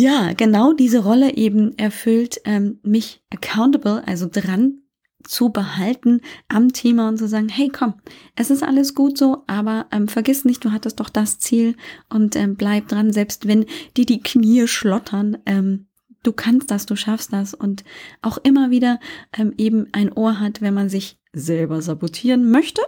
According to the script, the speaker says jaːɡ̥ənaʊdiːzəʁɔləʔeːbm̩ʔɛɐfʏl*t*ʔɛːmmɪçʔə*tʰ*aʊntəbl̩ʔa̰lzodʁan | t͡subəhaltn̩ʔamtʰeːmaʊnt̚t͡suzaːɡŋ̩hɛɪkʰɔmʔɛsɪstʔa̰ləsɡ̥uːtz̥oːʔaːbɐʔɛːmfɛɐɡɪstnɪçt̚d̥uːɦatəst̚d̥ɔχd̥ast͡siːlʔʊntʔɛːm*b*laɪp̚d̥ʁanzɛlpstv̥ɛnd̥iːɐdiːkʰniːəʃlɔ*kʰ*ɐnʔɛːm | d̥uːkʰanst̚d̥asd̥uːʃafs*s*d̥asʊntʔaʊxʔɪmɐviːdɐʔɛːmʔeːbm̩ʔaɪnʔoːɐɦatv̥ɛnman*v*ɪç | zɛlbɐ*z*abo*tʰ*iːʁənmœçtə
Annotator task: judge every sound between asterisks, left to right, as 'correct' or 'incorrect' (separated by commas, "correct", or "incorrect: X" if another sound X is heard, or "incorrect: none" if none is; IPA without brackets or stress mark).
correct, incorrect: kʰ, correct, incorrect: tʰ, incorrect: t, incorrect: z, correct, correct